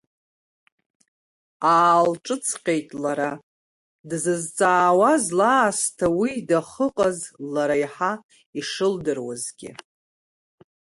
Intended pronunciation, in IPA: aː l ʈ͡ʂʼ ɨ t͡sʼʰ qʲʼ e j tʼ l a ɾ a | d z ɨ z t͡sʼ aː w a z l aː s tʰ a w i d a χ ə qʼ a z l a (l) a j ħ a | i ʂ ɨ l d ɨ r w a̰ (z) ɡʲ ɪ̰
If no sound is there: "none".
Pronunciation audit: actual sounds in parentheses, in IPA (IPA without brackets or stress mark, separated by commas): ɾ, z